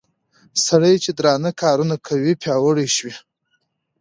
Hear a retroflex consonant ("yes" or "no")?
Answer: yes